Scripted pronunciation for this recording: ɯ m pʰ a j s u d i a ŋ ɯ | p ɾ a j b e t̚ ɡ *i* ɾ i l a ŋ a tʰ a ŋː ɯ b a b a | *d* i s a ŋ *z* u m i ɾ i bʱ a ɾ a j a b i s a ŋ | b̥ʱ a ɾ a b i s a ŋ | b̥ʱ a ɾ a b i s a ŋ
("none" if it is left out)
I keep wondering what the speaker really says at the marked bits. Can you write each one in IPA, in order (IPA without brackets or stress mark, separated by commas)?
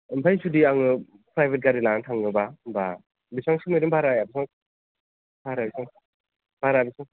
a, b, s